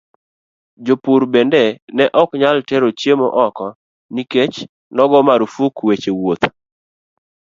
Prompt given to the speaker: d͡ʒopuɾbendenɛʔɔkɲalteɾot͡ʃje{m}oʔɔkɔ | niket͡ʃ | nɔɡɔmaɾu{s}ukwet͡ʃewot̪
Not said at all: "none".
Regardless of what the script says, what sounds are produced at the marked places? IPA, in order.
m, f

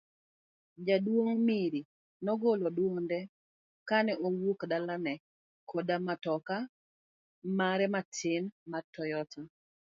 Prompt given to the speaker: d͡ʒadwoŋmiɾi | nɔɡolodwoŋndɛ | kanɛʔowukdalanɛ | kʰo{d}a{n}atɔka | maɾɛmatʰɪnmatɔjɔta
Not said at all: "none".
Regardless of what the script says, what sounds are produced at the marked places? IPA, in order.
d, m

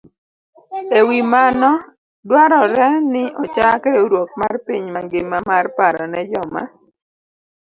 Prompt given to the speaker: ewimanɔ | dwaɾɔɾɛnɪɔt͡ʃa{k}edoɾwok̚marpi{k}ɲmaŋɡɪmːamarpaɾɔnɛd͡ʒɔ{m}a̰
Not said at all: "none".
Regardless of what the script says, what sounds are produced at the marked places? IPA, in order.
k, none, m

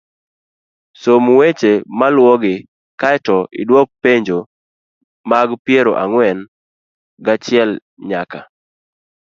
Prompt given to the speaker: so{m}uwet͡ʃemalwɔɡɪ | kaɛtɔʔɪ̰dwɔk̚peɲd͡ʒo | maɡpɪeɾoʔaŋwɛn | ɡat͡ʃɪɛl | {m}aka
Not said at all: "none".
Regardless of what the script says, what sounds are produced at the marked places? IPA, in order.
m, ɲ

